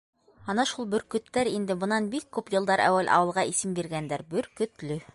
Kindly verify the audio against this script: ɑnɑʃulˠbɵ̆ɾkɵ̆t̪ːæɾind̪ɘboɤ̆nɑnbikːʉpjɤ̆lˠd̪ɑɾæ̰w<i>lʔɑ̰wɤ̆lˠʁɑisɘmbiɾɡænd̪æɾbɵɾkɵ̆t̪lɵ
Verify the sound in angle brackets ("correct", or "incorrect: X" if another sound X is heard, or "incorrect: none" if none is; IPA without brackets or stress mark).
incorrect: æ